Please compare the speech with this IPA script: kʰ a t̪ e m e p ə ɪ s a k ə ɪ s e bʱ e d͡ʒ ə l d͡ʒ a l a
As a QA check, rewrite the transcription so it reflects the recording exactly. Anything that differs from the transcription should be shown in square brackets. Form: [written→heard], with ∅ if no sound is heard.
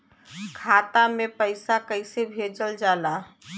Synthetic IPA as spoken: kʰ a t̪ [e→a] m e p ə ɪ s a k ə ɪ s e bʱ e d͡ʒ ə l d͡ʒ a l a